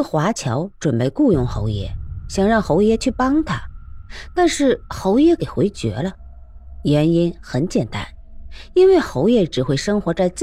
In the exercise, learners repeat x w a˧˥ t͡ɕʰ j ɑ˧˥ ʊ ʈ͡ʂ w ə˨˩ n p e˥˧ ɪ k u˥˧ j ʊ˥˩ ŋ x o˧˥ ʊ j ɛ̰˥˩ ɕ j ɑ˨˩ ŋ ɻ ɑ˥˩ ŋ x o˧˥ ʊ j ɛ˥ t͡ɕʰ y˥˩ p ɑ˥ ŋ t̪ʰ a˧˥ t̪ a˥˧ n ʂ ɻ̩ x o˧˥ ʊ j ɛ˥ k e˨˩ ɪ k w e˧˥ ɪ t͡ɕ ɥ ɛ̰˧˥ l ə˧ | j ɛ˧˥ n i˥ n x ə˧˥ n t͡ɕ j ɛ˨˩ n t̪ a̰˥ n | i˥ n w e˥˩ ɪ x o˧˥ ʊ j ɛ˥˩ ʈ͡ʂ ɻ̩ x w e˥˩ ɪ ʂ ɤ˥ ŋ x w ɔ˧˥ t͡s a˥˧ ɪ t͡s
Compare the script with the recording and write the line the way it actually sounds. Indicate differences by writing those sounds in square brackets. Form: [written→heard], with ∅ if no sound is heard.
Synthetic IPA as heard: x w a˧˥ t͡ɕʰ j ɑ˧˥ ʊ ʈ͡ʂ w ə˨˩ n p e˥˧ ɪ k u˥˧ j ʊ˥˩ ŋ x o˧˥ ʊ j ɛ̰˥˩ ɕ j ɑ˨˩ ŋ ɻ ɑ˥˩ ŋ x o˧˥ ʊ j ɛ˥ t͡ɕʰ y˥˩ p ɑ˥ ŋ t̪ʰ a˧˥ t̪ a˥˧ n ʂ ɻ̩ x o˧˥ ʊ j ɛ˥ k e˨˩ ɪ [k→x] w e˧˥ ɪ t͡ɕ ɥ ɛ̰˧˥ l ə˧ | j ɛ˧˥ n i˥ n x ə˧˥ n t͡ɕ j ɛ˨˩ n t̪ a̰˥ n | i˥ n w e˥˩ ɪ x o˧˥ ʊ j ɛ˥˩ ʈ͡ʂ ɻ̩ x w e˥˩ ɪ ʂ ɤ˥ ŋ x w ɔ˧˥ t͡s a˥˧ ɪ t͡s